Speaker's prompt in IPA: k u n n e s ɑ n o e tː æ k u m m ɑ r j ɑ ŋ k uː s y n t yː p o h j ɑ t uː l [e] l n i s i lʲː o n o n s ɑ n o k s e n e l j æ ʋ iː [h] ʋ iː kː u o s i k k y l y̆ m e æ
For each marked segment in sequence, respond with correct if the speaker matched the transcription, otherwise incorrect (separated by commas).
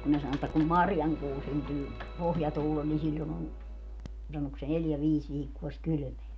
correct, incorrect